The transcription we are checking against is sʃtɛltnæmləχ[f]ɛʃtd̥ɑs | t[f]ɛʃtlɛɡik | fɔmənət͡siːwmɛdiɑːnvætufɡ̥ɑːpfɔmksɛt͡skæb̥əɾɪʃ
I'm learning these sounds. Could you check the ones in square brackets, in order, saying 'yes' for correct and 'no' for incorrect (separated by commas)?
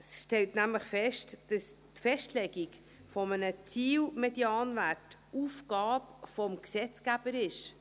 yes, yes